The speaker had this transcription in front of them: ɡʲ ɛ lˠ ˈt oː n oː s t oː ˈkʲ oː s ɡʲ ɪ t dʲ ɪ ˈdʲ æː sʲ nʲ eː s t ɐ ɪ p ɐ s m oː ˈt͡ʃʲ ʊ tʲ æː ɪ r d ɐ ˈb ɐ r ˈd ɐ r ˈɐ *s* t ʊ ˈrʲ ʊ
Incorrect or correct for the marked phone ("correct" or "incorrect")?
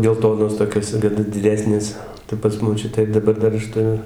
incorrect